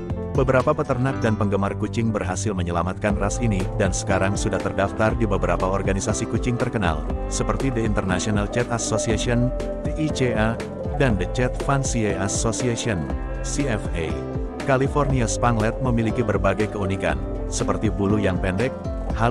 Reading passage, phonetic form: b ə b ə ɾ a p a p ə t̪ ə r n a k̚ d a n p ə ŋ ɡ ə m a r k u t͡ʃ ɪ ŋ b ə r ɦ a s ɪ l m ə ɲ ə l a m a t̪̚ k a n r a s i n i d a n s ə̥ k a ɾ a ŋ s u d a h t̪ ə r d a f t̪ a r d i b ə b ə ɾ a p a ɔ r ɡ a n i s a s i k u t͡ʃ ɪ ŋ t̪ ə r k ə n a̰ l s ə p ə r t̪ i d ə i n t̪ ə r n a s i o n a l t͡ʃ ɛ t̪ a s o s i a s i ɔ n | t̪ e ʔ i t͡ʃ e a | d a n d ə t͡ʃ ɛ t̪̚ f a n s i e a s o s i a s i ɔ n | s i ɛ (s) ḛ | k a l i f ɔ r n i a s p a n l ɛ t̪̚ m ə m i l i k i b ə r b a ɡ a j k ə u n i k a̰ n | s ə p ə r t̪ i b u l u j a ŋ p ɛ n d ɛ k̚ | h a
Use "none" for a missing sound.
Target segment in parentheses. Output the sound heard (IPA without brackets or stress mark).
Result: f